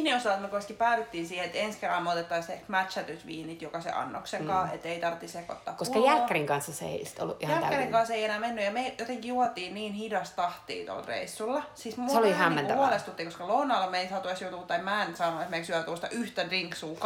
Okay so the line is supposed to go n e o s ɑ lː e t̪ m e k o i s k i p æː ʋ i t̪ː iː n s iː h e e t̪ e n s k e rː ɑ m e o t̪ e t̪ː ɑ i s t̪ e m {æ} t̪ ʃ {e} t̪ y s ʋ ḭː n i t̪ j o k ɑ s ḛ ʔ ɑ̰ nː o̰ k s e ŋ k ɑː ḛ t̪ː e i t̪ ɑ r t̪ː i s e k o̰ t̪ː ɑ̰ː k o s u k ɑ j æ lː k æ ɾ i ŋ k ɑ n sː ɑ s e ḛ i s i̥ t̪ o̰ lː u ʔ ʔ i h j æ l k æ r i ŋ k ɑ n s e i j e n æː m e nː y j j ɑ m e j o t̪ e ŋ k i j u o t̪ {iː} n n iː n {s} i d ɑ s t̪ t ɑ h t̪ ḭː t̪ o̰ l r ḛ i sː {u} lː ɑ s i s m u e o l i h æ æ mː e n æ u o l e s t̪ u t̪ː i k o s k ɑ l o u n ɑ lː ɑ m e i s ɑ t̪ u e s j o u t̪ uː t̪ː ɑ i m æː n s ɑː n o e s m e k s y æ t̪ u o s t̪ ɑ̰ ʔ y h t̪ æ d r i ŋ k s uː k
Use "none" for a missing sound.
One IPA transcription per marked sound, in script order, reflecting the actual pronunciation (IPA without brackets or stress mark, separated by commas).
æ, æ, iː, h, u